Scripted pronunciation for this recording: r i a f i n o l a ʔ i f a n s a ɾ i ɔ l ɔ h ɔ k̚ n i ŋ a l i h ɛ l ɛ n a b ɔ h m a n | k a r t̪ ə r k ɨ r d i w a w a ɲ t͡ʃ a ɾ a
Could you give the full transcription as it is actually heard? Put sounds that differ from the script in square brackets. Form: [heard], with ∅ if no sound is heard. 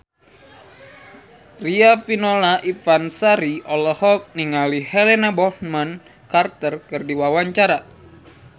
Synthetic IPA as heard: r i a f i n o l a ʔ i f a n s a ɾ i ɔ l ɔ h ɔ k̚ n i ŋ a l i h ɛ l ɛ n a b ɔ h m a n | k a r t̪ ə r k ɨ r d i w a w a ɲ t͡ʃ a ɾ a